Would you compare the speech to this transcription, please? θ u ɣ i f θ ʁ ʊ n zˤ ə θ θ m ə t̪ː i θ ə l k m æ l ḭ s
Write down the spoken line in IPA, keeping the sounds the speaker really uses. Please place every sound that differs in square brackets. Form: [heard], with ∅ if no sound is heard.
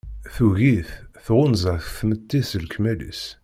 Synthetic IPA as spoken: θ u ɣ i [θ] θ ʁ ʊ n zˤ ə θ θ m ə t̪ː i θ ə l k m æ l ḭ s